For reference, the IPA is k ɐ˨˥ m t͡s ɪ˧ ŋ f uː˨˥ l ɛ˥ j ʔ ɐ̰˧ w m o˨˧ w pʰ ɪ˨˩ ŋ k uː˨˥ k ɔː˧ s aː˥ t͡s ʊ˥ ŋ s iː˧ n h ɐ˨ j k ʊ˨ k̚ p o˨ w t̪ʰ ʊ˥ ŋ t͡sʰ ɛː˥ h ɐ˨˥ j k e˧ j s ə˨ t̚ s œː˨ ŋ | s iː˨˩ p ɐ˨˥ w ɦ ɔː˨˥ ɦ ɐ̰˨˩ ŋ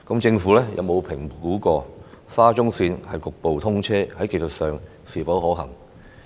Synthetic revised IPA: k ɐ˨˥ m t͡s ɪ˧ ŋ f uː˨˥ l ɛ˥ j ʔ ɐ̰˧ w m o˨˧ w pʰ ɪ˨˩ ŋ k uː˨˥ k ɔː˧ s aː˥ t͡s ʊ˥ ŋ s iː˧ n h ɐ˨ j k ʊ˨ k̚ p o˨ w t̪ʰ ʊ˥ ŋ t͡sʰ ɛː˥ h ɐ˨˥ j k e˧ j s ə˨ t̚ s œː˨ ŋ | s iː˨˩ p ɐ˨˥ w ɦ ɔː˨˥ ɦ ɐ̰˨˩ ŋ

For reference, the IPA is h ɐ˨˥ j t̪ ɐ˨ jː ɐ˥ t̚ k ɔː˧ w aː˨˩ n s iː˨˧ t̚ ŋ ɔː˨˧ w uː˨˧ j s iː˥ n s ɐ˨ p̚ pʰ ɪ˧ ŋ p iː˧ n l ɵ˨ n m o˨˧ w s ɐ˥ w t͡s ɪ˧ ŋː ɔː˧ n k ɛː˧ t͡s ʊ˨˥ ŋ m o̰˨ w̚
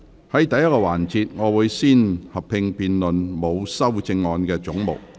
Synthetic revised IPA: h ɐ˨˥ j t̪ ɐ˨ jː ɐ˥ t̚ k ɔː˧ w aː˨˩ n t͡s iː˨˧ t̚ ŋ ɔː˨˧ w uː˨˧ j s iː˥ n h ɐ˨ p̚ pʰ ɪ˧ ŋ p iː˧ n l ɵ˨ n m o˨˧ w s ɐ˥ w t͡s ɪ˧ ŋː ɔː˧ n k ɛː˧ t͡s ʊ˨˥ ŋ m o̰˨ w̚

